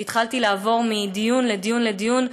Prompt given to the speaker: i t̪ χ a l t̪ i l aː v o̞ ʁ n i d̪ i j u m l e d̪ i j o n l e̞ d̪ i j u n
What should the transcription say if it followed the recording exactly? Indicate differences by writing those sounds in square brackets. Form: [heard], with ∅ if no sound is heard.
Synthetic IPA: i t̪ χ a l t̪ i l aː v o̞ ʁ [m] i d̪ i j u [n] l e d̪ i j [u] n l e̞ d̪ i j u n